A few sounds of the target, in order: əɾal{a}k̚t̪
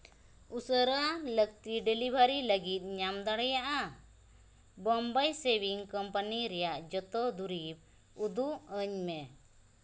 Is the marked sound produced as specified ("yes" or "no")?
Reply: no